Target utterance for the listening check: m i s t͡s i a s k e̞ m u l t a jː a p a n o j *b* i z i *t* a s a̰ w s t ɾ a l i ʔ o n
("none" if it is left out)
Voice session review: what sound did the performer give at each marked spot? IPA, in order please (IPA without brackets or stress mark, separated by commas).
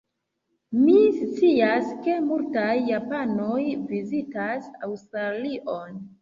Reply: v, t